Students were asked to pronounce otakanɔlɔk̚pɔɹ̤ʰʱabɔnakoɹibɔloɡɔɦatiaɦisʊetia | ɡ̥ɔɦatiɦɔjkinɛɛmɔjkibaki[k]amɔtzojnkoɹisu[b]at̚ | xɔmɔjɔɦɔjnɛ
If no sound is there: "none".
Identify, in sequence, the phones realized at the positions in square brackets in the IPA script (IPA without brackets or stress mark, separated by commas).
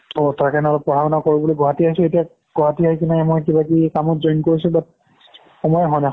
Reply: k, b